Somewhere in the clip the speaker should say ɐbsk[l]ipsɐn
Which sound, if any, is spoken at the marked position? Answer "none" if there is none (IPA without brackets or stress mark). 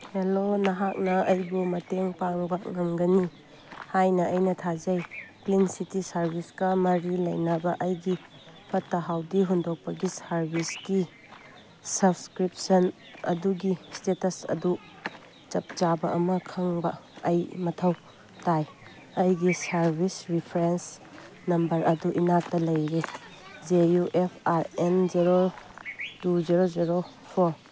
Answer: ɾ